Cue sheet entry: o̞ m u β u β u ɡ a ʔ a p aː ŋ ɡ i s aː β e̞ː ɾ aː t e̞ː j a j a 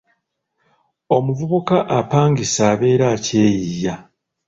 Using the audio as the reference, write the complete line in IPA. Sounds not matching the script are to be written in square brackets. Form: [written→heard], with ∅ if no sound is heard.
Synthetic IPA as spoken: o̞ m u [β→v] u β u [ɡ→k] a ʔ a p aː ŋ ɡ i s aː β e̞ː ɾ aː [t→c] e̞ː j [a→i] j a